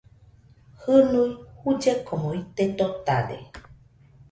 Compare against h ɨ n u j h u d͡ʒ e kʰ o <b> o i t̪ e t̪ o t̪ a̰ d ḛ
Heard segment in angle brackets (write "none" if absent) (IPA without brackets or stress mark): m